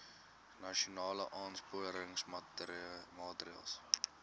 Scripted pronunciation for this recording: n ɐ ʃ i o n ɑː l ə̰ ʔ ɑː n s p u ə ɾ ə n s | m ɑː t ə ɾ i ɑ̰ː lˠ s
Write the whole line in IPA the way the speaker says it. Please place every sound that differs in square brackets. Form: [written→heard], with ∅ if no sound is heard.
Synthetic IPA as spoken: n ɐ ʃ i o n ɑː l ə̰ ʔ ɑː n s p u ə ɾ ə [n→ŋ] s | m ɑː t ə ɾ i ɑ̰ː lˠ s